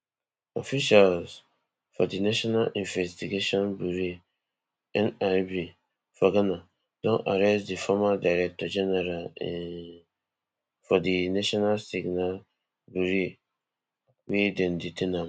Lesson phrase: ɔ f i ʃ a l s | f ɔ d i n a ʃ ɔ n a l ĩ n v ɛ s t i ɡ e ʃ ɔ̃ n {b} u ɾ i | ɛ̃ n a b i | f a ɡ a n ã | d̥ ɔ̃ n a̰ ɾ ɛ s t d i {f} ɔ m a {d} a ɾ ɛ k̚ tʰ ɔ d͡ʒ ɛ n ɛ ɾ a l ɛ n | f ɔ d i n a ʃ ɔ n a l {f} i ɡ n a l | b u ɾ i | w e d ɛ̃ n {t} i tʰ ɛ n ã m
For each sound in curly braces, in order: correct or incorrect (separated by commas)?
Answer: correct, correct, correct, incorrect, incorrect